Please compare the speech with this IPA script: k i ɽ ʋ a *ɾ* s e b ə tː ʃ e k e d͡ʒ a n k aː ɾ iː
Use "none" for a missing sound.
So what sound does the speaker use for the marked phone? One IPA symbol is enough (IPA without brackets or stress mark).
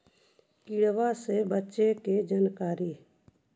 none